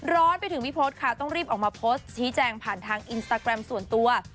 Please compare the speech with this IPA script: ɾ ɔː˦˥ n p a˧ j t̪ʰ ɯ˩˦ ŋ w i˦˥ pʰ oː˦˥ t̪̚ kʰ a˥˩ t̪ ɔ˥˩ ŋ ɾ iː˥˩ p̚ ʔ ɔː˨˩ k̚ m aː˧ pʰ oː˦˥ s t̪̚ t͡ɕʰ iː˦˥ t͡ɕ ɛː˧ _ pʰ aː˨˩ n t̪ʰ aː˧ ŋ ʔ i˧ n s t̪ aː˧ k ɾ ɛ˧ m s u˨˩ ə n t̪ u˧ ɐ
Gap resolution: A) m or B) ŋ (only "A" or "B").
B